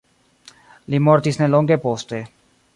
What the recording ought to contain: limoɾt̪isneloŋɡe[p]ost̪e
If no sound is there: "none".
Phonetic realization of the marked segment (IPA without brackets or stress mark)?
p